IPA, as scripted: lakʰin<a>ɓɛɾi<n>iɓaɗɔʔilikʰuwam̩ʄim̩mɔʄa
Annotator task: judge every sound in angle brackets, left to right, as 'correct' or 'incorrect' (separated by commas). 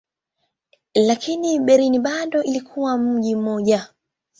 incorrect, correct